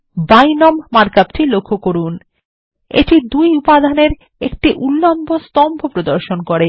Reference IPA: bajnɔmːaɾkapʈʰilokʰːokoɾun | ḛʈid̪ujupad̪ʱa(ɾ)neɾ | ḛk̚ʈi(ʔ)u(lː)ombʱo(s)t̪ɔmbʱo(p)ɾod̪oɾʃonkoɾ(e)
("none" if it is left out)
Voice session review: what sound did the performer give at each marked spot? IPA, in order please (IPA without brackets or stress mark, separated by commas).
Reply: none, ʔ, lː, s, p, e